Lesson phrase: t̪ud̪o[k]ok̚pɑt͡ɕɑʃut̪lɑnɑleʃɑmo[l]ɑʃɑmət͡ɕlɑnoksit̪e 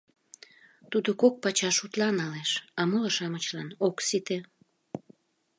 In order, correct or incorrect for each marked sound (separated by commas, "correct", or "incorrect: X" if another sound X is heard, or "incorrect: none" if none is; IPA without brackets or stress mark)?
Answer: correct, correct